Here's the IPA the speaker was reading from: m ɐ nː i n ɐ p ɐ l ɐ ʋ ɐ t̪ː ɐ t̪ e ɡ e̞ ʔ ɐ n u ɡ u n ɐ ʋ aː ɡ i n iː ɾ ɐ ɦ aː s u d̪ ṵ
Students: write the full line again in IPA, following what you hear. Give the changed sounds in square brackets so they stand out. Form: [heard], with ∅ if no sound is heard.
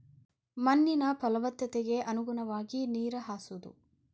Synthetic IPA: m ɐ nː i n ɐ p ɐ l ɐ ʋ ɐ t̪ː ɐ t̪ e ɡ e̞ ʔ ɐ n u ɡ u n ɐ ʋ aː ɡ i n iː ɾ ɐ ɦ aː s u d̪ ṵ